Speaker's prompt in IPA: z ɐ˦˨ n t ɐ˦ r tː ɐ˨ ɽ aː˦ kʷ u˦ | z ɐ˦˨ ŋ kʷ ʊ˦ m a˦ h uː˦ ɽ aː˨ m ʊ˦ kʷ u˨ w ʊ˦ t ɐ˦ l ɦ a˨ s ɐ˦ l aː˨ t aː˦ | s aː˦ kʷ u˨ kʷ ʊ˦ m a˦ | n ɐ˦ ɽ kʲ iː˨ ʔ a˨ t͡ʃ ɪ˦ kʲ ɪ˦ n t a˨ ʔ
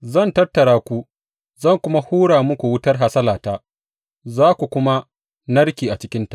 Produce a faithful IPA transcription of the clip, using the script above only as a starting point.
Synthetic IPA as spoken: z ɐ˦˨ n t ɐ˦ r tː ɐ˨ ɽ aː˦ kʷ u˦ | z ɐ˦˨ ŋ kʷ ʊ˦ m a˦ h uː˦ ɽ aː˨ m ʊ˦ kʷ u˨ w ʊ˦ t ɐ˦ r ɦ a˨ s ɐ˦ l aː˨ t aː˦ | z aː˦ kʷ u˨ kʷ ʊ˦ m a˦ | n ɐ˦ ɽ kʲ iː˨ ʔ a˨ t͡ʃ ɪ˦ kʲ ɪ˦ n t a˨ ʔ